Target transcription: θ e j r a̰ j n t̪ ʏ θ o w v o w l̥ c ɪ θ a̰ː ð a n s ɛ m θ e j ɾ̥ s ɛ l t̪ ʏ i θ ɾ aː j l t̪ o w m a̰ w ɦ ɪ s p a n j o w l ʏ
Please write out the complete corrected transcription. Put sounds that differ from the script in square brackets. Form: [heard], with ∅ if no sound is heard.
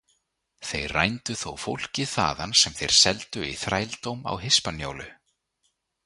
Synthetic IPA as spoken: θ e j r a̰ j n t̪ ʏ θ o w [f] o w l̥ c ɪ θ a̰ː ð a n s ɛ m θ e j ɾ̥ s ɛ l t̪ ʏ i θ ɾ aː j l t̪ o w m a̰ w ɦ ɪ s p a n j o w l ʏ